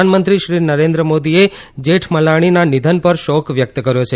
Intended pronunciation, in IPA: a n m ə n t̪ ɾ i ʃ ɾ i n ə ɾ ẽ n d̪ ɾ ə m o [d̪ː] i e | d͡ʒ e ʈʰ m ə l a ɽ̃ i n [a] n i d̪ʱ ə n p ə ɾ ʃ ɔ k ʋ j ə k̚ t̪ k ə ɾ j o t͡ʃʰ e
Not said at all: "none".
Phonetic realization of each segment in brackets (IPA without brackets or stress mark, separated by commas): d̪, a